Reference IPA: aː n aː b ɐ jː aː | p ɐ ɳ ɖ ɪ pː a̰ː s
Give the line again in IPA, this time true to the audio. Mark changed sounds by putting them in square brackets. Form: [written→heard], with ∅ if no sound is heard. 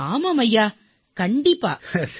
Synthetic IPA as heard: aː [n→m] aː [b→m] ɐ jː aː | [p→k] ɐ ɳ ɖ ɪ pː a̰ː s